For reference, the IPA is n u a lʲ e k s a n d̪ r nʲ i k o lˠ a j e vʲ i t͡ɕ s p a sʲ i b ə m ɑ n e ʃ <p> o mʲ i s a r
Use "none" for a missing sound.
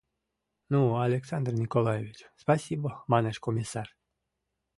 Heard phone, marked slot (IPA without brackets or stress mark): k